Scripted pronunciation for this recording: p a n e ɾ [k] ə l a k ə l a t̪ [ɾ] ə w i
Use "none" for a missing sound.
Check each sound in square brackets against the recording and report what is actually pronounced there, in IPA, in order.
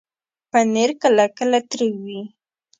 k, ɾ

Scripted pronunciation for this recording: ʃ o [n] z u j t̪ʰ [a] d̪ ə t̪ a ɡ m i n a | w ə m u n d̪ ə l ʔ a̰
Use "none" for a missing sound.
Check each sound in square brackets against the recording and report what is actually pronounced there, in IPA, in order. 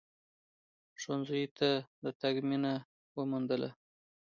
n, a

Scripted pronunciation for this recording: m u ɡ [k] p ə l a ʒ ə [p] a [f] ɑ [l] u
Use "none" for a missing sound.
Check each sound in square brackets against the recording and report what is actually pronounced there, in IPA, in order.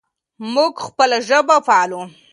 x, b, f, l

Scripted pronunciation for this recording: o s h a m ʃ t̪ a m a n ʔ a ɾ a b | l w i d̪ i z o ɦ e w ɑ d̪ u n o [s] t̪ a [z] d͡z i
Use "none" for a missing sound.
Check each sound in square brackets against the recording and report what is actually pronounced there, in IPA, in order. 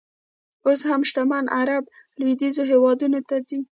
none, none

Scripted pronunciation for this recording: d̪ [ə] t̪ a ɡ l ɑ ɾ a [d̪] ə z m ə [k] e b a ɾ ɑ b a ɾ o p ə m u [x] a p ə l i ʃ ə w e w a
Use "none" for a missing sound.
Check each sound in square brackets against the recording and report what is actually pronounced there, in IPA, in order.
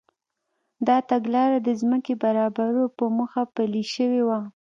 ɑ, d̪, k, x

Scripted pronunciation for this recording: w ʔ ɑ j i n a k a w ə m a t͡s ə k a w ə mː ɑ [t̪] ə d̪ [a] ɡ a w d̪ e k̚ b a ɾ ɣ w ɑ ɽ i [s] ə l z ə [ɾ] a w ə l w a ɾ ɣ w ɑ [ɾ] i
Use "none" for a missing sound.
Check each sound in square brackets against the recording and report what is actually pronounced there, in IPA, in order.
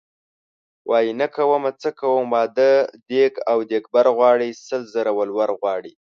d̪, e, s, ɾ, ɽ

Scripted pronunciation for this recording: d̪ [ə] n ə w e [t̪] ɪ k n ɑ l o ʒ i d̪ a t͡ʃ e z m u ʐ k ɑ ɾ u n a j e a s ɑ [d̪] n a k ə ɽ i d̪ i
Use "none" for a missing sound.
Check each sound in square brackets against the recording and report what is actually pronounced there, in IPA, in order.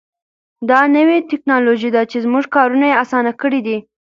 ɑ, t̪, none

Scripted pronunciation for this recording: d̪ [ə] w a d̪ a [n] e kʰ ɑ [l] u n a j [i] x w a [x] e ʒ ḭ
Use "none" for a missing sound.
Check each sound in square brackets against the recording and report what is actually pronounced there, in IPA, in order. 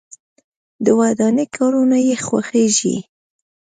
ə, n, ɾ, e, x

